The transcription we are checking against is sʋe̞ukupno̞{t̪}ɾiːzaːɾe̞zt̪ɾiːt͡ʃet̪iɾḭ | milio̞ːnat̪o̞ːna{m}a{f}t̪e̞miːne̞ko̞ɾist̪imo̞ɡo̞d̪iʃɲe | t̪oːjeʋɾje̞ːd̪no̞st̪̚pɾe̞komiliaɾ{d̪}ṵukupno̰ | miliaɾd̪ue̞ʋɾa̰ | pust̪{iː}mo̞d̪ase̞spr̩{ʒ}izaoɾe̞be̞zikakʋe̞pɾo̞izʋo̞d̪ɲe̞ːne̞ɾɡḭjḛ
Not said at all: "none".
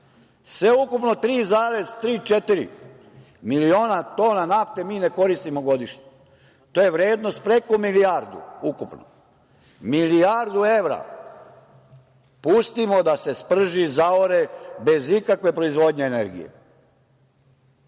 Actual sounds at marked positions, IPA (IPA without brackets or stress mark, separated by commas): t̪, n, f, d̪, i, ʒ